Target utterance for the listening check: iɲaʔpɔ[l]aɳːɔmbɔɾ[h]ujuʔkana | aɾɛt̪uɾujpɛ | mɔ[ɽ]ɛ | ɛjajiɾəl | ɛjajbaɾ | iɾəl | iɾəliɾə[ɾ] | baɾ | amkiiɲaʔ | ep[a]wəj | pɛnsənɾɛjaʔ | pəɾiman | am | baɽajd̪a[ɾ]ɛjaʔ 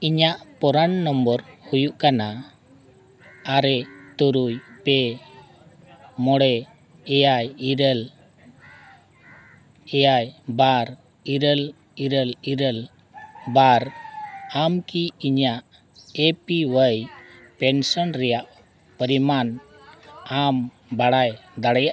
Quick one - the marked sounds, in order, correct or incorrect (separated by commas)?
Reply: incorrect, correct, correct, incorrect, incorrect, incorrect